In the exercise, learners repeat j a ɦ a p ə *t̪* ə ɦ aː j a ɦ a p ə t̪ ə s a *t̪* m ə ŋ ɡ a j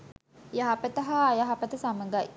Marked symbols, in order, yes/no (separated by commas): yes, no